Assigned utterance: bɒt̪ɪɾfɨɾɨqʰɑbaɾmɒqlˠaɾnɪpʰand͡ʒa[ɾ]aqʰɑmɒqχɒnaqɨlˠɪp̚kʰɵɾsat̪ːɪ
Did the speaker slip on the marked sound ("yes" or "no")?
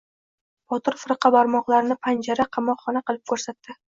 no